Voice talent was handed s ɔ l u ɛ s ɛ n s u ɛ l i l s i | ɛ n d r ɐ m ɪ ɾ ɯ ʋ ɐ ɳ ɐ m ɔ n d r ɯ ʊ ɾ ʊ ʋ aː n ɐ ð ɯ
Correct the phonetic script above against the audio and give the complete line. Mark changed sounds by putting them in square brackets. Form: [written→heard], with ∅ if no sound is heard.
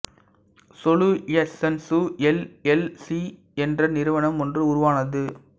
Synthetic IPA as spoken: s ɔ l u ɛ s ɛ n s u ɛ l [i→ɛ] l s i | ɛ n d r ɐ [m→n] ɪ ɾ ɯ ʋ ɐ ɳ ɐ m ɔ n d r ɯ ʊ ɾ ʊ ʋ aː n ɐ ð ɯ